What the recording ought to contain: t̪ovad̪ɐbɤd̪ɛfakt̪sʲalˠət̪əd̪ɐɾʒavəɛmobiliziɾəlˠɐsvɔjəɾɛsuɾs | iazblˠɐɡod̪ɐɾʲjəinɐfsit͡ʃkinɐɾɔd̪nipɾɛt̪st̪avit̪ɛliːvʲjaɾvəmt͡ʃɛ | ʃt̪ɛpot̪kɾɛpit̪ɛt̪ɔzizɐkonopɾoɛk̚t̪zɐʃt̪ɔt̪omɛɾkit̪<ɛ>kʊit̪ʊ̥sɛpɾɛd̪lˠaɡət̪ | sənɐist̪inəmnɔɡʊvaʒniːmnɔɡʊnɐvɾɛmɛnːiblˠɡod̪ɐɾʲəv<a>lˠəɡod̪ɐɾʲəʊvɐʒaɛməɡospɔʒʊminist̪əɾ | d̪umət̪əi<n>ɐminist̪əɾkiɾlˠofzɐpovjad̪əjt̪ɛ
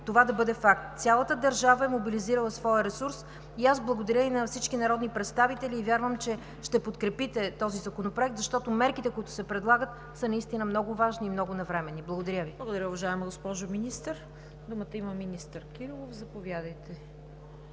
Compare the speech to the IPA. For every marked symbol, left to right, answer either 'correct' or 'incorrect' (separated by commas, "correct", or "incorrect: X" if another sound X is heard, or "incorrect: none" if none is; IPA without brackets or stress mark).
correct, incorrect: i, incorrect: m